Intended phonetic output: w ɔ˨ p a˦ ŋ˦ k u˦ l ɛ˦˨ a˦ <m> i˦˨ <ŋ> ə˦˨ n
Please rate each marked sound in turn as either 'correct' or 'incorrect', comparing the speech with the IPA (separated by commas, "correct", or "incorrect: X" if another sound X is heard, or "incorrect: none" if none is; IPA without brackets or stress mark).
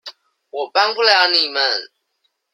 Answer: incorrect: n, incorrect: m